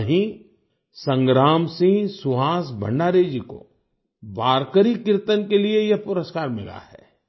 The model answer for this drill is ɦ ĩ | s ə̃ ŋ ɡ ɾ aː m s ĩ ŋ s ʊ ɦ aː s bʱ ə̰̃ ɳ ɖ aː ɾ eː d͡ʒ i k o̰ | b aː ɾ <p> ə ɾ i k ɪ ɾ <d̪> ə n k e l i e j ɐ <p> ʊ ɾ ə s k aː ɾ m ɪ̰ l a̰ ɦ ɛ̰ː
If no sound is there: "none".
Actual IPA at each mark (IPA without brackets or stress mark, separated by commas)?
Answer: k, t̪, p